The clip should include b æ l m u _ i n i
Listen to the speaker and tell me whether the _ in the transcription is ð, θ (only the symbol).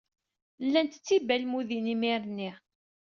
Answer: ð